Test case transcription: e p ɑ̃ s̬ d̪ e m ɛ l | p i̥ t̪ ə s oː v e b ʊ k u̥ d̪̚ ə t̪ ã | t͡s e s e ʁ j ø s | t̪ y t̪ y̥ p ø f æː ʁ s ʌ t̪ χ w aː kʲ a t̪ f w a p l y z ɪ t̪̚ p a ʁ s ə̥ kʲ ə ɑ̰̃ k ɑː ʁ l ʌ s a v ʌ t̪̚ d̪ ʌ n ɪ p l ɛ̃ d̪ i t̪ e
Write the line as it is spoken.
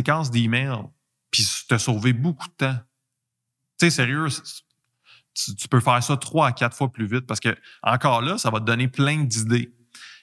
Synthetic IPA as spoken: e k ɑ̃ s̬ d̪ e m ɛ l | p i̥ t̪ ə s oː v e b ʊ k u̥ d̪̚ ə t̪ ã | t͡s e s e ʁ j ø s | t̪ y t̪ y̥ p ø f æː ʁ s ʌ t̪ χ w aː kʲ a t̪ f w a p l y v ɪ t̪̚ p a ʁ s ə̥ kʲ ə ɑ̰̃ k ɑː ʁ l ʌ s a v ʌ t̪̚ d̪ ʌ n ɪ p l ɛ̃ d̪ i d̪ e